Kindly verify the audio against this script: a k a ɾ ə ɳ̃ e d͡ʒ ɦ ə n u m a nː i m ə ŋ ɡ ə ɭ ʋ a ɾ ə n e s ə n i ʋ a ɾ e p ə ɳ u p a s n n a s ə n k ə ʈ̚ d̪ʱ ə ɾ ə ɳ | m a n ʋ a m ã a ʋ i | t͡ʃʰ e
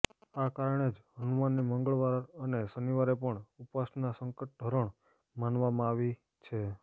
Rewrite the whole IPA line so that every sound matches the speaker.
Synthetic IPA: a k a ɾ ə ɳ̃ e d͡ʒ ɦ ə n u m a nː i m ə ŋ ɡ ə ɭ ʋ a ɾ ə n e s ə n i ʋ a ɾ e p ə ɳ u p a s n n a s ə ŋ k ə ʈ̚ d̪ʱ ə ɾ ə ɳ | m a n ʋ a m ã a ʋ i | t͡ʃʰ e

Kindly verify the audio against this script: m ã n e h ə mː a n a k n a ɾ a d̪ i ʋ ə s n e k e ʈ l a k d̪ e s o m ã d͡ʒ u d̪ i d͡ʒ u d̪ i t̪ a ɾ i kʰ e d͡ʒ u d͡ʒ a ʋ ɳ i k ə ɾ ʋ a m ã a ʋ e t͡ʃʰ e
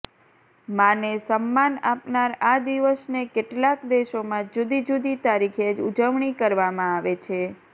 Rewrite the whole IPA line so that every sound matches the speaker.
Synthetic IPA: m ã n e s ə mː a n a p n a ɾ a d̪ i ʋ ə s n e k e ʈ l a k d̪ e ʃ o m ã d͡ʒ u d̪ i d͡ʒ u d̪ i t̪ a ɾ i kʰ e d͡ʒ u d͡ʒ ə ʋ ɳ i k ə ɾ ʋ a m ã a ʋ e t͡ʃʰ e

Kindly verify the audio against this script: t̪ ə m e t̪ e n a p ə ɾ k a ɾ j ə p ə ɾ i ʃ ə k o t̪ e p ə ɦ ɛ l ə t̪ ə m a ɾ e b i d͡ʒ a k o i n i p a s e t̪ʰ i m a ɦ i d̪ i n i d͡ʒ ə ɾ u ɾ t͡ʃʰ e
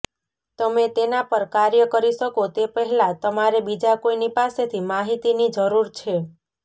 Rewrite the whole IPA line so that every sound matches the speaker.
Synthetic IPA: t̪ ə m e t̪ e n a p ə ɾ k a ɾ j ə k ə ɾ i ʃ ə k o t̪ e p ə ɦ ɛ l a t̪ ə m a ɾ e b i d͡ʒ a k o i n i p a s e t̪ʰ i m a ɦ i t̪ i n i d͡ʒ ə ɾ u ɾ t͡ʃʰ e

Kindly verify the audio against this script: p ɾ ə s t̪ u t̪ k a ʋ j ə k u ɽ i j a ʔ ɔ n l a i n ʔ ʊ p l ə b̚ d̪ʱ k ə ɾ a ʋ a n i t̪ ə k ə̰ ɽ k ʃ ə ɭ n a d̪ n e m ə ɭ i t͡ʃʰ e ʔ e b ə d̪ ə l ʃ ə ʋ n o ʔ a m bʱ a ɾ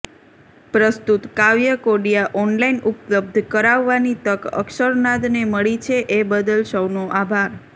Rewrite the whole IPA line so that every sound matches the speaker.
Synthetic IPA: p ɾ ə s t̪ u t̪ k a ʋ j ə k o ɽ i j a ʔ ɔ n l a i n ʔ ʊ p l ə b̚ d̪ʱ k ə ɾ a ʋː a n i t̪ ə k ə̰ k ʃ ə ɾ n a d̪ n e m ə ɭ i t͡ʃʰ e ʔ e b ə d̪ ə l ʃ ə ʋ n o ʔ a bʱ a ɾ

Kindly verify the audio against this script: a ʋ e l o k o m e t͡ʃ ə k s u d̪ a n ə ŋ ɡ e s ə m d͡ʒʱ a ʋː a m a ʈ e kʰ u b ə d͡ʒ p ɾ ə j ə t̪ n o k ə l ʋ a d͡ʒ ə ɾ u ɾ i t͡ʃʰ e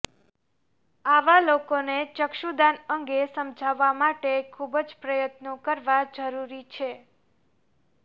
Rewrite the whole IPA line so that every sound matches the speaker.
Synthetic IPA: a ʋ a l o k o n e t͡ʃ ə k ʃ u d̪ a n ə ŋ ɡ e s ə m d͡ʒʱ a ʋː a m a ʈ e kʰ u b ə d͡ʒ p ɾ ə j ə t̪ n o k ə ɾ ʋ a d͡ʒ ə ɾ u ɾ i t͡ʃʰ e

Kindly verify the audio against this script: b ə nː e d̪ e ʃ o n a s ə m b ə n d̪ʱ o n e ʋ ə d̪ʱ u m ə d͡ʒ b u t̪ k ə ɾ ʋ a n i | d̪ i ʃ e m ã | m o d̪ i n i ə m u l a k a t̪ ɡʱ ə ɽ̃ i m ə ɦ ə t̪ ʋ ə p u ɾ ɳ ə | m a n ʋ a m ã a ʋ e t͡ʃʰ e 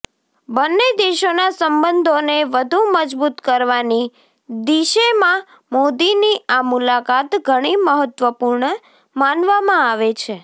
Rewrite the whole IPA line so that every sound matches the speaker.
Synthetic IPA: b ə nː e d̪ e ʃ o n a s ə m b ə n d̪ʱ o n e ʋ ə d̪ʱ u m ə d͡ʒ b u t̪ k ə ɾ ʋ a n i | d̪ i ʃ e m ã | m o d̪ i n i a m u l a k a t̪ ɡʱ ə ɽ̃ i m ə ɦ ə t̪ ʋ ə p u ɾ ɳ ə | m a n ʋ a m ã a ʋ e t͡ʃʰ e

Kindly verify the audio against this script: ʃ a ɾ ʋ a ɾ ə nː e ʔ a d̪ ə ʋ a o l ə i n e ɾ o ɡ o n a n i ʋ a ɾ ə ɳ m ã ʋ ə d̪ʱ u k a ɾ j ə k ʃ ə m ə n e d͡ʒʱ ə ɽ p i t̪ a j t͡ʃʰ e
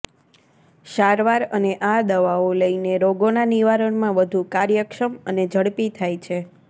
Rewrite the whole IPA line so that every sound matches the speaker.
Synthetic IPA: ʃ a ɾ ʋ a ɾ ə n e ʔ a d̪ ə ʋ a o l ə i n e ɾ o ɡ o n a n i ʋ a ɾ ə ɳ m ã ʋ ə d̪ʱ u k a ɾ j ə k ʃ ə m ə n e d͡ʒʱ ə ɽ p i t̪ʰ a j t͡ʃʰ e

